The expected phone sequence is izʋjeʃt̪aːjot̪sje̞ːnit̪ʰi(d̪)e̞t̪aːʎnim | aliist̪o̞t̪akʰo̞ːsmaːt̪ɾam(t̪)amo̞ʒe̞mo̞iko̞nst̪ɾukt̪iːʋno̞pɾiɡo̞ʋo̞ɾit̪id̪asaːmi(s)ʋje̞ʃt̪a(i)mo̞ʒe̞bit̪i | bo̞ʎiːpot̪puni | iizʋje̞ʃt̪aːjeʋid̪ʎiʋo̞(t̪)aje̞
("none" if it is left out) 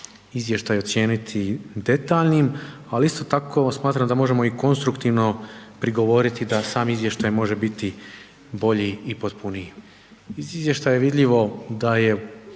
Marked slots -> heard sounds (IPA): d̪, d̪, z, j, d̪

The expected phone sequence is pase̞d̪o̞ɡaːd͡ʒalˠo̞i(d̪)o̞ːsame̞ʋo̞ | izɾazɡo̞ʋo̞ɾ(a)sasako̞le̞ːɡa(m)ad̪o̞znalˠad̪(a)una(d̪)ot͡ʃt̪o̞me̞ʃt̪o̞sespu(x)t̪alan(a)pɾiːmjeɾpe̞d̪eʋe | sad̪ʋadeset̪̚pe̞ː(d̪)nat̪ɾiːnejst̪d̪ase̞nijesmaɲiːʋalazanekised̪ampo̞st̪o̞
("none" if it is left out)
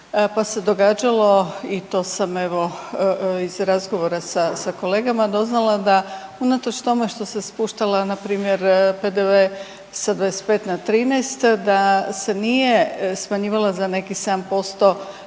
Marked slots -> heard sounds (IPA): t̪, a, m, a, t̪, ʃ, a, t̪

